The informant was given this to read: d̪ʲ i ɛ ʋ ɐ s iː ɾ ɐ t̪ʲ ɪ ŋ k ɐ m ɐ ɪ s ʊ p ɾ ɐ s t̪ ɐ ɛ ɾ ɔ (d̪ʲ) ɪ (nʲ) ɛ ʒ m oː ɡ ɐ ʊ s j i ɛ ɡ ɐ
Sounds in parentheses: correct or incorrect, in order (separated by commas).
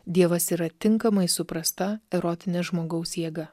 incorrect, correct